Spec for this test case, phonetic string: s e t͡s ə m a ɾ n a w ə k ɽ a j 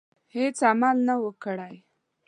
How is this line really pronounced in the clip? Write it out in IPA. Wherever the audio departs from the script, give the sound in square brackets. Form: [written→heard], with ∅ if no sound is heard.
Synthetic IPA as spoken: [s→h] e t͡s [ə→a] m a [ɾ→l] n a w ə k ɽ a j

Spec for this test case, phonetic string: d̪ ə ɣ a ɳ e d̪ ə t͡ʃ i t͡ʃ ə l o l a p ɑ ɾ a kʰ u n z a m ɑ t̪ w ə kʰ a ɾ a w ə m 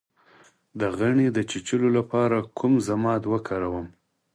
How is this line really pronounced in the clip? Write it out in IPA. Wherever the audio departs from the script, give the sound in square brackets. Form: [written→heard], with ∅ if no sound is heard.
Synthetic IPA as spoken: d̪ ə ɣ a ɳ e d̪ ə t͡ʃ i t͡ʃ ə l o l a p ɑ ɾ a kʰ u [n→m] z a m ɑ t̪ w ə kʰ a ɾ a w ə m

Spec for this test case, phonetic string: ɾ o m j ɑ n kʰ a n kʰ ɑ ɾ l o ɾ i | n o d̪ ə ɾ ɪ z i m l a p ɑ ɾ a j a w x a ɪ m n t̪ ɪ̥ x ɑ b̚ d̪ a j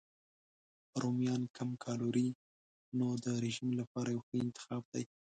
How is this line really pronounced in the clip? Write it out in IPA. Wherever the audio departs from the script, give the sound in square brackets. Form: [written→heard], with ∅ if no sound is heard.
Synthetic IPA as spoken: ɾ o m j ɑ n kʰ a [n→m] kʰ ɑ [ɾ→∅] l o ɾ i | n o d̪ ə ɾ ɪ [z→ʒ] i m l a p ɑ ɾ a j a w x [a→ə] ɪ [m→∅] n t̪ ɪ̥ x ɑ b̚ d̪ a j

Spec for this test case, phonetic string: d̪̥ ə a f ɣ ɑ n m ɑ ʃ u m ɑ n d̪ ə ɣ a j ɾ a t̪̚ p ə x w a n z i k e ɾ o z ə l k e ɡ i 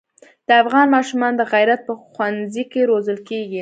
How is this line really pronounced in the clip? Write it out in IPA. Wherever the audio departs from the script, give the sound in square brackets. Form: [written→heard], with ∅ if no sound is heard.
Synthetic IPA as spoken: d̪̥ ə a f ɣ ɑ n m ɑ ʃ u m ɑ n d̪ ə ɣ a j ɾ a t̪̚ p ə x w a n z i k e ɾ o z ə l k e ɡ i

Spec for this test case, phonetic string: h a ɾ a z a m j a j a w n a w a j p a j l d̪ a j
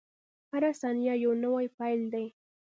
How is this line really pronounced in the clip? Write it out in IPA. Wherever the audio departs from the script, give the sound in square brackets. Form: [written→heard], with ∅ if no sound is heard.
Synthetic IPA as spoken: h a ɾ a [z→s] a [m→n] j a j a w n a w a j p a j l d̪ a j

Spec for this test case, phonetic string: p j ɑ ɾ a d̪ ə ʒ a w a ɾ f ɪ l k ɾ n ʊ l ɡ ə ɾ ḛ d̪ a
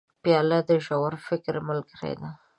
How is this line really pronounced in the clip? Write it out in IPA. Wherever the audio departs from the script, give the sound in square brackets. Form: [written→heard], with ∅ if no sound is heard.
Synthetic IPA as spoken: p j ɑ [ɾ→l] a d̪ ə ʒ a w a ɾ f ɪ [l→∅] k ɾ [n→m] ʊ l ɡ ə ɾ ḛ d̪ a

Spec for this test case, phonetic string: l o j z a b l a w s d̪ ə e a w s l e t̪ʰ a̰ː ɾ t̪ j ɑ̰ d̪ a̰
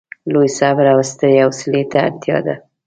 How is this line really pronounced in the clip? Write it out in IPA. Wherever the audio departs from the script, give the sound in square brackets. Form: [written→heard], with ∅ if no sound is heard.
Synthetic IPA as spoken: l o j [z→s] a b [l→ɾ] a w s [d̪→t̪] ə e a w s l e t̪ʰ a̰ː ɾ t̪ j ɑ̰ d̪ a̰

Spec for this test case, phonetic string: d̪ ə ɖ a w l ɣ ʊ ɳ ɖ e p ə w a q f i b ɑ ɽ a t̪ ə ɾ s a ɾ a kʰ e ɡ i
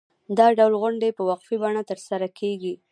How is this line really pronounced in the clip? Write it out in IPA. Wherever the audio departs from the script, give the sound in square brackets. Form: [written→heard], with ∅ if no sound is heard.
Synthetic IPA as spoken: d̪ [ə→ɑ] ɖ a w l ɣ ʊ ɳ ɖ e p ə w a q f i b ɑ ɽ a t̪ ə ɾ s a ɾ a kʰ e ɡ i

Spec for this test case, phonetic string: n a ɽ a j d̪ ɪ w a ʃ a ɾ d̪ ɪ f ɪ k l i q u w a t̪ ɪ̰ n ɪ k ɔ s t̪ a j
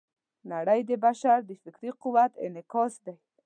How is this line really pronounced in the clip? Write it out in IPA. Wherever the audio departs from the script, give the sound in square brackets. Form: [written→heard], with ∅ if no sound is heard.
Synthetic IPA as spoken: n a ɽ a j d̪ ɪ [w→b] a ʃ a ɾ d̪ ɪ f ɪ k [l→ɾ] i q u w a t̪ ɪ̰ n ɪ k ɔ s [t̪→d̪] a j

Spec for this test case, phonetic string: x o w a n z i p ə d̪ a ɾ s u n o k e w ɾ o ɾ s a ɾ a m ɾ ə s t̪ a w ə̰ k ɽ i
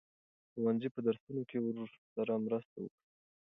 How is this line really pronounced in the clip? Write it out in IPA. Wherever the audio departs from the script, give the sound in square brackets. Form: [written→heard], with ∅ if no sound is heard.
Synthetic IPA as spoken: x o w a n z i p ə d̪ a ɾ s u n o k e w ɾ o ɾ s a ɾ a m ɾ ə s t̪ a w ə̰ k ɽ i

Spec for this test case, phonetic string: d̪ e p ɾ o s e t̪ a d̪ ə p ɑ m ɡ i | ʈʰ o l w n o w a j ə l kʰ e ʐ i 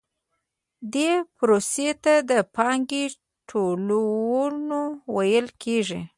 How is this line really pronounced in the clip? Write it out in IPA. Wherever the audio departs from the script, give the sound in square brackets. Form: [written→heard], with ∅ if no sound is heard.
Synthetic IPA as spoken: d̪ e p ɾ o s e t̪ a d̪ ə p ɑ [m→ŋ] ɡ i | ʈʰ o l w n o w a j ə l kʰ e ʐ i

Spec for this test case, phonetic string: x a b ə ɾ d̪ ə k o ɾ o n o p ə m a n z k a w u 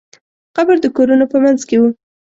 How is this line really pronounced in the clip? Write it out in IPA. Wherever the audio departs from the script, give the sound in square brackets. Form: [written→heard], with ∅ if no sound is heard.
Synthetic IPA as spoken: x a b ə ɾ d̪ ə k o ɾ [o→u] n o p ə m a n z k [a→e] w u

